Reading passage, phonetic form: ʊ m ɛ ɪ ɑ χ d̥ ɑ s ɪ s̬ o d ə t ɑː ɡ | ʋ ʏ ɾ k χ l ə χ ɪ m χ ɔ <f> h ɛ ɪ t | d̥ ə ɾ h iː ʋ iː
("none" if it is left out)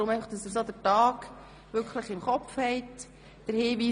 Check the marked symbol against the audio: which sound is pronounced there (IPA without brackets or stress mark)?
f